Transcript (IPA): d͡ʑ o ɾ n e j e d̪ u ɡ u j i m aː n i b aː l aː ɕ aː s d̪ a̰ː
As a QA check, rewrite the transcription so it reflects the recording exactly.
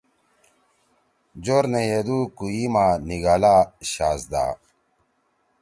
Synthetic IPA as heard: d͡ʑ o ɾ n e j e d̪ u k u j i m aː n i ɡ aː l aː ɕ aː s d̪ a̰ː

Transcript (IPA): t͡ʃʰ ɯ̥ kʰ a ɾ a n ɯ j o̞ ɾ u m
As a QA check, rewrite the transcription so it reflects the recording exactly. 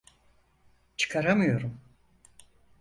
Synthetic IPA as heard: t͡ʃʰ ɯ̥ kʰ a ɾ a m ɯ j o̞ ɾ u m

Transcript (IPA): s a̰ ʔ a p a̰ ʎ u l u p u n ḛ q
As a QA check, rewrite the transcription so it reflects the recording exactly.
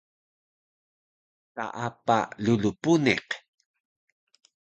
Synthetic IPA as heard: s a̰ ʔ a p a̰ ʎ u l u p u n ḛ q

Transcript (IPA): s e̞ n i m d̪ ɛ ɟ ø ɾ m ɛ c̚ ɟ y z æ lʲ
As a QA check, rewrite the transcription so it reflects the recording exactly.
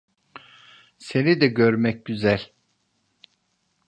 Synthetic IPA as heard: s e̞ n i d̪ ɛ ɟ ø ɾ m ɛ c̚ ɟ y z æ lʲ

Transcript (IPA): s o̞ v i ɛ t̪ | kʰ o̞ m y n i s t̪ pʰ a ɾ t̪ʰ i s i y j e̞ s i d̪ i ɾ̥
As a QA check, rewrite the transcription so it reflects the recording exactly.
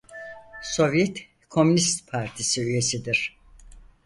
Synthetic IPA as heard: s o̞ v j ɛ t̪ | kʰ o̞ m y n i s t̪ pʰ a ɾ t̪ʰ i s i y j e̞ s i d̪ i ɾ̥

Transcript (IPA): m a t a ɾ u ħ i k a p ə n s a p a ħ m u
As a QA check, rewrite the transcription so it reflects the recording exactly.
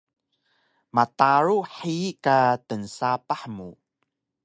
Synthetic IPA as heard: m a t a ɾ u ħ i k a t ə n s a p a ħ m u

